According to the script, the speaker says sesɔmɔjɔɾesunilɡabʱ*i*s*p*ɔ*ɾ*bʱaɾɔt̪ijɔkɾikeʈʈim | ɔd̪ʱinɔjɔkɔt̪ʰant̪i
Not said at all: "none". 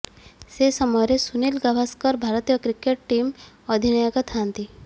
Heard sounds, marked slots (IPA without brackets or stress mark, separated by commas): a, k, ɾ